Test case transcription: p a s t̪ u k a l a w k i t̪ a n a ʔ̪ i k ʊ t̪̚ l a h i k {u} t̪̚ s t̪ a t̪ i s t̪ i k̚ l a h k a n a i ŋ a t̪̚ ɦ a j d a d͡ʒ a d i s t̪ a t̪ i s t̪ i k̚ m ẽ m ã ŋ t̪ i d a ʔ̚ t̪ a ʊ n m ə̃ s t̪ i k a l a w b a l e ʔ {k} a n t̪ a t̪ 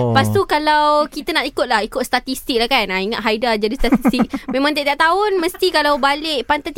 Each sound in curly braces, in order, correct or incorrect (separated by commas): incorrect, incorrect